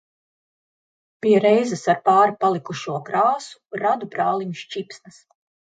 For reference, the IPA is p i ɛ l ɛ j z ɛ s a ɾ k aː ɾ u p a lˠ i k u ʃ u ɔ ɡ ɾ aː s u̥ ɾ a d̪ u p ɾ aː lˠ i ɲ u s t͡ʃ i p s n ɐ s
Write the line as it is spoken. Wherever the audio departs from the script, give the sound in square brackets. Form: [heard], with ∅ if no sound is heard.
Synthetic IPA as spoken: p i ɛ [ɾ] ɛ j z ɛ s a ɾ [p] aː ɾ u p a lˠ i k u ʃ u ɔ [k] ɾ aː s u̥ ɾ a d̪ u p ɾ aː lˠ i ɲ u [ʃ] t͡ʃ i p s n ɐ s